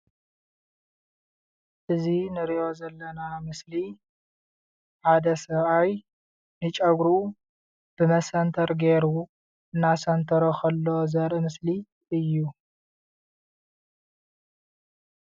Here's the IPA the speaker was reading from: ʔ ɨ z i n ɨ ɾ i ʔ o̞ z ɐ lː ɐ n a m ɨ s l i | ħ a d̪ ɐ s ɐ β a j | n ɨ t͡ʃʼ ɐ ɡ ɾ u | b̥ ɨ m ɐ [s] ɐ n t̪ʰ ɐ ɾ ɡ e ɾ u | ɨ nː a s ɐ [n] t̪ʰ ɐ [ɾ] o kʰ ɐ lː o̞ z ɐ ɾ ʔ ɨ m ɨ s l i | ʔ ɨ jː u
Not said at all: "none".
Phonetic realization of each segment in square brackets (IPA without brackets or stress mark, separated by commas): s, n, ɾ